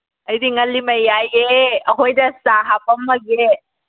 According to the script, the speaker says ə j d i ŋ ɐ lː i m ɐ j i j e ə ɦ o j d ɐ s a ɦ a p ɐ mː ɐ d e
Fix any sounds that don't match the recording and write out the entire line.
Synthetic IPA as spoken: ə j d i ŋ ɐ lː i m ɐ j a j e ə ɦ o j d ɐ s a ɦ a p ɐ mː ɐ ɡ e